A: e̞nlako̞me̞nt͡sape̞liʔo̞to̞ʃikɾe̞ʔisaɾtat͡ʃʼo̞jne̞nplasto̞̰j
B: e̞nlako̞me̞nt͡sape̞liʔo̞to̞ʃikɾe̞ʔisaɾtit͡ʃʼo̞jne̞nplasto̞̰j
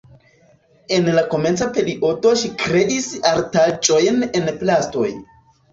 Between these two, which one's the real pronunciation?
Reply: A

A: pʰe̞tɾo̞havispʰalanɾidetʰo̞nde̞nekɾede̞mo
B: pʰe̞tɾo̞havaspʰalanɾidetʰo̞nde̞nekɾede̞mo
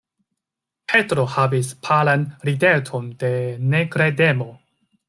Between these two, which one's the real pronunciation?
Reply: A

